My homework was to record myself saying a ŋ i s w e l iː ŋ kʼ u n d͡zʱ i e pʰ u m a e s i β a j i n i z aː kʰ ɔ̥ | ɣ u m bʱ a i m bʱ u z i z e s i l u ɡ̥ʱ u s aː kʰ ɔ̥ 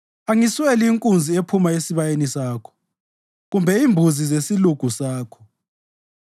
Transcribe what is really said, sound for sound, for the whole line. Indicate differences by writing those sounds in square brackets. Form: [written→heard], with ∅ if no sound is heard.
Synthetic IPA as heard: a ŋ i s w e l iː ŋ kʼ u n d͡zʱ i e pʰ u m a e s i β a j [i→e] n i [z→s] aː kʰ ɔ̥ | ɣ u m bʱ [a→ɛ] i m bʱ u z i z e s i l u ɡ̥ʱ u s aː kʰ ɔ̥